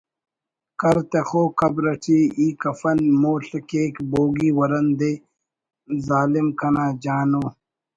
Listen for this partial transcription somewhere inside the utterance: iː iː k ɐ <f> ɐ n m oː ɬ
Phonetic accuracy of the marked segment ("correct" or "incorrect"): correct